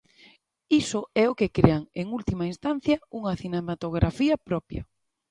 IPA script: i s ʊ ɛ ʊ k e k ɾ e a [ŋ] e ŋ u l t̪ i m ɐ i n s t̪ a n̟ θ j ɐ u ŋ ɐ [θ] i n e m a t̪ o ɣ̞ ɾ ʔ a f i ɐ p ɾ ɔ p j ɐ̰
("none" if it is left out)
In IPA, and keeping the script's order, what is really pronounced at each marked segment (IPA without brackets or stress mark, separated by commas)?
ŋ, θ